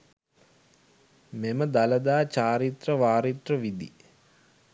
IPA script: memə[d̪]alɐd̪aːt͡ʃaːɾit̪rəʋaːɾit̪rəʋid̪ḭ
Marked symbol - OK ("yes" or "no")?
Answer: yes